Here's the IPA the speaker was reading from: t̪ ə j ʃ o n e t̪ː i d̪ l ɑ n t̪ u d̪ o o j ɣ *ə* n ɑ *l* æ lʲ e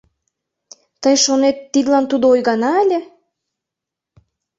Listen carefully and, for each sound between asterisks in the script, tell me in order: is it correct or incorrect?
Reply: incorrect: ɑ, incorrect: none

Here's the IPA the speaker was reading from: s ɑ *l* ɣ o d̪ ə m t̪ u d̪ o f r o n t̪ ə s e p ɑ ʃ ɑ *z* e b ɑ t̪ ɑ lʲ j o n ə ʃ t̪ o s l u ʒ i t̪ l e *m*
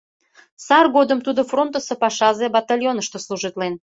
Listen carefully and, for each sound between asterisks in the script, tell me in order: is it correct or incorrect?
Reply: incorrect: r, correct, incorrect: n

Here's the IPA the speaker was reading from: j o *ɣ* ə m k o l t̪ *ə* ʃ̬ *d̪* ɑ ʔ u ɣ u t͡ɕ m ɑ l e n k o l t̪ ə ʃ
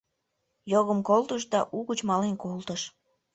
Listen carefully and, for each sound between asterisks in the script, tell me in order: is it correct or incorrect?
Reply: correct, correct, correct

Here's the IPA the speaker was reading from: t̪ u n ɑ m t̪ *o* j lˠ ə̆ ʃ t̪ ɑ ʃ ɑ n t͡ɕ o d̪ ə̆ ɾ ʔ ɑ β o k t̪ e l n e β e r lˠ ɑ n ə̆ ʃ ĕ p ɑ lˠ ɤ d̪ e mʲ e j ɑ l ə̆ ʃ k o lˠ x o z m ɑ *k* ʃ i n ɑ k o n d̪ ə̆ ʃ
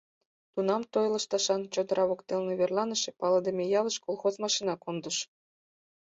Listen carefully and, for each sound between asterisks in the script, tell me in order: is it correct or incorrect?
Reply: correct, incorrect: none

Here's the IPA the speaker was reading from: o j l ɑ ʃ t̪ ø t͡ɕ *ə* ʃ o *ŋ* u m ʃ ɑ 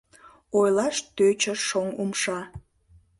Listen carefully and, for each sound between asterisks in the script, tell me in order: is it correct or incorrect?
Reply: correct, correct

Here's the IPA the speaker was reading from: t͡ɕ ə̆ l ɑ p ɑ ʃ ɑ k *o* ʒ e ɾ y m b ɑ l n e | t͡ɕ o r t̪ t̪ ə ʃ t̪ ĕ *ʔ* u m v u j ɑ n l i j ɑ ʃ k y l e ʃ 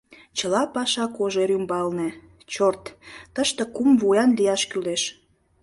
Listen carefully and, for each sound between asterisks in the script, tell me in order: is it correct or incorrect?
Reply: correct, incorrect: k

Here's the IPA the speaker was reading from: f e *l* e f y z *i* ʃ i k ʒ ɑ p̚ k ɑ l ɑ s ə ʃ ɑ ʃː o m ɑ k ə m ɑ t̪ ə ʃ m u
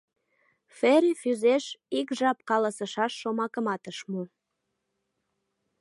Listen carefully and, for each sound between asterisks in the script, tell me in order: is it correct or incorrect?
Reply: incorrect: ɾ, incorrect: e

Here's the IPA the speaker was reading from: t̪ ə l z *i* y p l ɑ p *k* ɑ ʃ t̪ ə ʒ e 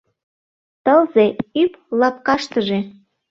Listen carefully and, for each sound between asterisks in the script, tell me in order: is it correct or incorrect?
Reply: incorrect: e, correct

